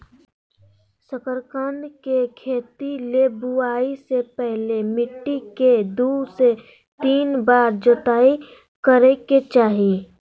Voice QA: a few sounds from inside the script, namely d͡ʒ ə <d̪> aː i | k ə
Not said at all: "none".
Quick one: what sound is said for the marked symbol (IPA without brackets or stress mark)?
t̪